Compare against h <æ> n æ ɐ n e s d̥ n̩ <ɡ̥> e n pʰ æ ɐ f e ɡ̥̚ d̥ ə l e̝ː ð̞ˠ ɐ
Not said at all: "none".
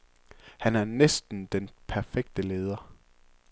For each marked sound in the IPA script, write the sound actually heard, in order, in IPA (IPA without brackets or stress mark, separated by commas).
æ, d̥